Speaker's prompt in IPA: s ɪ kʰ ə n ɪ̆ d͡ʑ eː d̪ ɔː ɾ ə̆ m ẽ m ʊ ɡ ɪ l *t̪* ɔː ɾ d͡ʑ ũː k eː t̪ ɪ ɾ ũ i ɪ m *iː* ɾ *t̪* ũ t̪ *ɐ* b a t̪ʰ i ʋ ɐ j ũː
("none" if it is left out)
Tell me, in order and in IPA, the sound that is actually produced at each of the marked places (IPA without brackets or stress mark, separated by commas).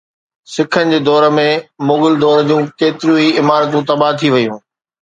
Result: d̪, aː, t̪, ɐ